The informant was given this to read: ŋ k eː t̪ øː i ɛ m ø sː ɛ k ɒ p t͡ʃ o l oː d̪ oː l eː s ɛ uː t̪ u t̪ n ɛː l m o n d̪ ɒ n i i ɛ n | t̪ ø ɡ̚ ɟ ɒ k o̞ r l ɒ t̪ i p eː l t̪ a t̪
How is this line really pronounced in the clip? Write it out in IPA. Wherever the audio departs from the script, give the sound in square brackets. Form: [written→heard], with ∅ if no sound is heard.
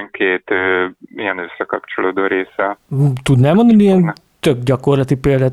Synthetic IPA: ŋ k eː t̪ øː i ɛ [m→n] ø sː ɛ k ɒ p t͡ʃ o l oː d̪ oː [l→ɾ] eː s ɛ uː t̪ u [t̪→d̪] n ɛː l m o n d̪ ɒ n i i ɛ n | t̪ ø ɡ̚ ɟ ɒ k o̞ r l ɒ t̪ i p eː l [t̪→d̪] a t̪